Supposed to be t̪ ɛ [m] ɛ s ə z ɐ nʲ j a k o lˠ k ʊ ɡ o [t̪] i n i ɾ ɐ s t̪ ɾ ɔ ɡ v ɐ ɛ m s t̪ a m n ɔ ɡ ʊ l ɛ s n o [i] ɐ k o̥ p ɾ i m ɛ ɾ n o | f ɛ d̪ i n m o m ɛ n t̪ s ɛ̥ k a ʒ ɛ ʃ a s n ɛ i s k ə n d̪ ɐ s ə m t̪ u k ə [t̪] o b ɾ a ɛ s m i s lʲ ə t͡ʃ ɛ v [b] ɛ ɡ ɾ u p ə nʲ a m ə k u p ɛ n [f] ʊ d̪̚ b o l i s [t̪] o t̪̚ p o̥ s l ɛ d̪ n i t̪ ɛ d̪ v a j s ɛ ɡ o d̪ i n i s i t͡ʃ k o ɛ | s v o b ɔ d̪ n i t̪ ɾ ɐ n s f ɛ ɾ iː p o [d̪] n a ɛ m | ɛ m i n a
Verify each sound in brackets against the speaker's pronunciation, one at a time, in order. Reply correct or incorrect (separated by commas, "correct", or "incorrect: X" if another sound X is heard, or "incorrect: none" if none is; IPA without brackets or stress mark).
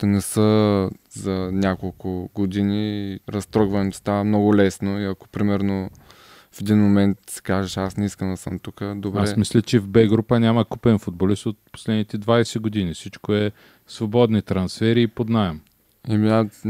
incorrect: n, incorrect: d̪, correct, incorrect: d̪, correct, correct, correct, correct